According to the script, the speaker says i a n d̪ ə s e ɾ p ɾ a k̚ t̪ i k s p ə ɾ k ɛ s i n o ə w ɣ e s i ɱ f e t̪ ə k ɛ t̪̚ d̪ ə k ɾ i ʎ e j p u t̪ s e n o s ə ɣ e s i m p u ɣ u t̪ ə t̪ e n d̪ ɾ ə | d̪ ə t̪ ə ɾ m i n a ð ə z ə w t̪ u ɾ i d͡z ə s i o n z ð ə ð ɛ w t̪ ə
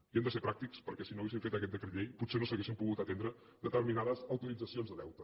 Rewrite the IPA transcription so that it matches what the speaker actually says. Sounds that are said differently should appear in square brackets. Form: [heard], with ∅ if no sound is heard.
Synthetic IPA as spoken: i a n d̪ ə s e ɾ p ɾ a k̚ t̪ i k s p ə ɾ k ɛ s i n o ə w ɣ e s i ɱ f e t̪ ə k ɛ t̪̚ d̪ ə k ɾ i ʎ e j p u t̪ s e n o s ə ɣ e s i m p u ɣ u t̪ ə t̪ e n d̪ ɾ ə | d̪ ə t̪ ə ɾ m i n a ð ə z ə w t̪ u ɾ i d͡z ə s i o n z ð ə ð ɛ w t̪ ə